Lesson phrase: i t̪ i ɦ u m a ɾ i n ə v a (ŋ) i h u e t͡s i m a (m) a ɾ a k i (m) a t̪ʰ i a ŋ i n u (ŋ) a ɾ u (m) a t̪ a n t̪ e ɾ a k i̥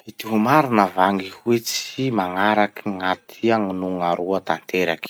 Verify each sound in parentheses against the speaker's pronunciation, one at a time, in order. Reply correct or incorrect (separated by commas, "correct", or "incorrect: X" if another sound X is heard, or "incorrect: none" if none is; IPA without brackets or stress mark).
correct, incorrect: ŋ, incorrect: ŋ, correct, incorrect: none